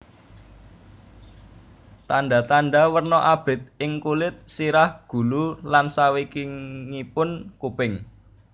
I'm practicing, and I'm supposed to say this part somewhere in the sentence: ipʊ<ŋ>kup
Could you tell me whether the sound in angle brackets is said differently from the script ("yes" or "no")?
yes